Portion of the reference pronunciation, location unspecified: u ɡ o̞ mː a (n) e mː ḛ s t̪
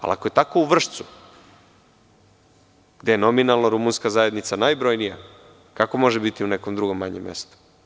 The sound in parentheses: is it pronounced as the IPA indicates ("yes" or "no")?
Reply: no